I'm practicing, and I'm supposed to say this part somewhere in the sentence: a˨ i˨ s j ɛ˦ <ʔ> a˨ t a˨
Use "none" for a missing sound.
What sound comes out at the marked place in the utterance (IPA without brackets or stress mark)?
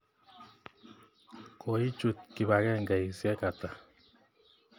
k